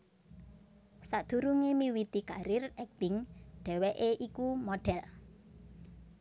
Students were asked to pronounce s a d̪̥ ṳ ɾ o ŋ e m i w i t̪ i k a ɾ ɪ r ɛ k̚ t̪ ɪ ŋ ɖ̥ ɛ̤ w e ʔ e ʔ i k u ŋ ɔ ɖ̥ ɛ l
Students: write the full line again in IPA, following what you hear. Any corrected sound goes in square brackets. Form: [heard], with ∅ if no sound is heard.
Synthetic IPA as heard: s a d̪̥ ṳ ɾ [u] ŋ e m i w i t̪ i k a ɾ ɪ r ɛ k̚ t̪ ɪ ŋ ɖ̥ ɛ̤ w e ʔ e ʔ i k u [m] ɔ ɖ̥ ɛ l